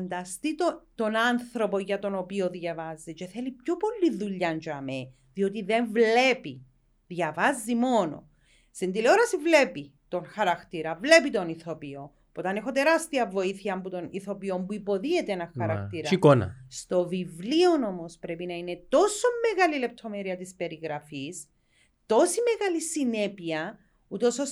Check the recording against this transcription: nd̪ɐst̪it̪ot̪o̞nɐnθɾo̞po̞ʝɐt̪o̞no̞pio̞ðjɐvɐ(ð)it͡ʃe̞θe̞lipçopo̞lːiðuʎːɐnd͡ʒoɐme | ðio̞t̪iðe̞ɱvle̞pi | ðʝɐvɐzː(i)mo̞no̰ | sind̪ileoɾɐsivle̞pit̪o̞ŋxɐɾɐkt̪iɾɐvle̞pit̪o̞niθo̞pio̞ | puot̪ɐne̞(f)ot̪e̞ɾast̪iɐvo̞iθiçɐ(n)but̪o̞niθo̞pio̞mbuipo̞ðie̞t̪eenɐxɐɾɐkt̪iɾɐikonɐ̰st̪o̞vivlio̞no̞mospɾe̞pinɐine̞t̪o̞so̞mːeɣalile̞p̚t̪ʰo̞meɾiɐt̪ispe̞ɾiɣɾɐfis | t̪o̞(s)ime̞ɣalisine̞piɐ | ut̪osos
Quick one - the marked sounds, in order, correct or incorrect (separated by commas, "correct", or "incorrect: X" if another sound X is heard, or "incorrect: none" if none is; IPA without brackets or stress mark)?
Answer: incorrect: z, correct, incorrect: x, incorrect: m, correct